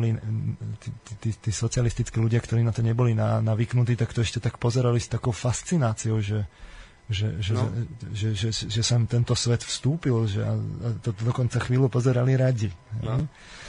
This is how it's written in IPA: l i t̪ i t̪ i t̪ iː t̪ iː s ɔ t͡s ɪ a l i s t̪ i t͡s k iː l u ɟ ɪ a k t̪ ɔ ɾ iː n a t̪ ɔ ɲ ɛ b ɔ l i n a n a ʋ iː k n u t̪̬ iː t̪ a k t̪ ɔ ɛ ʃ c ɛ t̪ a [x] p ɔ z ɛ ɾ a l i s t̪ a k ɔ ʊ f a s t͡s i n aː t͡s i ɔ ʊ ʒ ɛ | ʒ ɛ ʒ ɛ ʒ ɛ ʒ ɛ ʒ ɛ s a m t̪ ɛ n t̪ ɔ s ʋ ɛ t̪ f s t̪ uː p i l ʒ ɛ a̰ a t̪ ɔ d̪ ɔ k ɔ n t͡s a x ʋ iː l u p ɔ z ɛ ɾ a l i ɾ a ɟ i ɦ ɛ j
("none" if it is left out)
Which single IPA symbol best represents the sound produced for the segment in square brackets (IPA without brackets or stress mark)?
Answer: k